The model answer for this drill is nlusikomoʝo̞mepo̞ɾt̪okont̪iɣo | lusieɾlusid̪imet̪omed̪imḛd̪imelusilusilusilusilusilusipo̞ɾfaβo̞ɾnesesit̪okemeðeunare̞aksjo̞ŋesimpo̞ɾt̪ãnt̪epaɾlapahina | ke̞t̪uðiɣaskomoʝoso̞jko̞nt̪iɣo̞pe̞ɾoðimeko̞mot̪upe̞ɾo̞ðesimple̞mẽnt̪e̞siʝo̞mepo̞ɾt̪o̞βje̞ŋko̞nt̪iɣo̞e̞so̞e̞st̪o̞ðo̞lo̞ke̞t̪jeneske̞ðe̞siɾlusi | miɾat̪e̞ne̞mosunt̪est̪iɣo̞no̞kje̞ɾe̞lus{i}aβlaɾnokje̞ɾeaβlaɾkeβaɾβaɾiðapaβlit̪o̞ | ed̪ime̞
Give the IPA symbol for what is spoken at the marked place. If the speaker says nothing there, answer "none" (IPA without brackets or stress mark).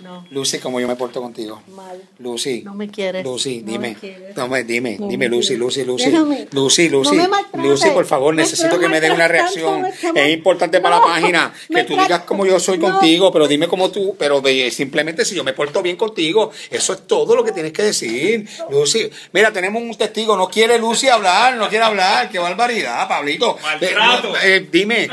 i